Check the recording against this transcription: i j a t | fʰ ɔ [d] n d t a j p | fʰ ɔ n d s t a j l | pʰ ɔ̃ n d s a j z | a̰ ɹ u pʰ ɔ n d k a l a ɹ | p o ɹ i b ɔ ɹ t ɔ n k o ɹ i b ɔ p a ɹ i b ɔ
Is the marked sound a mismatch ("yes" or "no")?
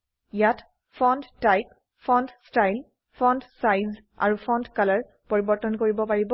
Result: yes